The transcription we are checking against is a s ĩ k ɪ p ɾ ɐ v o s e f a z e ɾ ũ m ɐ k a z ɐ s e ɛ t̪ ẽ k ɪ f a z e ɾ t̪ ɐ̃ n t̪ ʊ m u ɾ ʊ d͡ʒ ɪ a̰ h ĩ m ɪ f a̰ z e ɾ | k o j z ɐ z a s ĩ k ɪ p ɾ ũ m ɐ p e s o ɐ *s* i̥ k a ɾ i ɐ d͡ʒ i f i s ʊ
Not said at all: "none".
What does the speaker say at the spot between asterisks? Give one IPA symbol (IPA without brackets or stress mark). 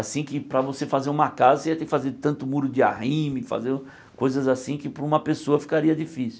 f